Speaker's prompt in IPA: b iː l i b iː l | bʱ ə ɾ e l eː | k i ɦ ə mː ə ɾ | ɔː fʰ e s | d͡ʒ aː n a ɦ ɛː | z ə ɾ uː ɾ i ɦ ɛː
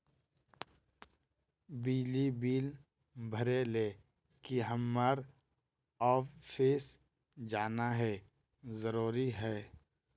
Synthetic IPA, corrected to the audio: b iː l i b iː l | bʱ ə ɾ e l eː | k i ɦ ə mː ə ɾ | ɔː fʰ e s | d͡ʒ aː n a ɦ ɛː | z ə ɾ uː ɾ i ɦ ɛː